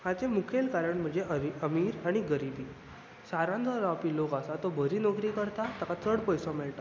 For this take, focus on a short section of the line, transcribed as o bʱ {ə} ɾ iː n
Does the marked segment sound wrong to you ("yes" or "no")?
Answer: no